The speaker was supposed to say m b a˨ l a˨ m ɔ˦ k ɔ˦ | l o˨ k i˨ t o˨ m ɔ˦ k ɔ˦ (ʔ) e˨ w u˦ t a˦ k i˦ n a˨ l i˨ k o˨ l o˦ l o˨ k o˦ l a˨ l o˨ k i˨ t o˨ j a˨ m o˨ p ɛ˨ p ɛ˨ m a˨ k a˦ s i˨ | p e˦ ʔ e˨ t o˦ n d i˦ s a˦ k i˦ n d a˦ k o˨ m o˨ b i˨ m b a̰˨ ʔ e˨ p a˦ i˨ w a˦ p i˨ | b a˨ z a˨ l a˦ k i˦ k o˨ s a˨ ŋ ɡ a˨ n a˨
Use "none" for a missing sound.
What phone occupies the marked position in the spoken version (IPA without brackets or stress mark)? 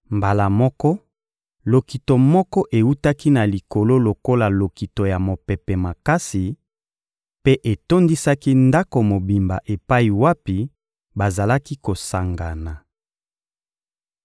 ʔ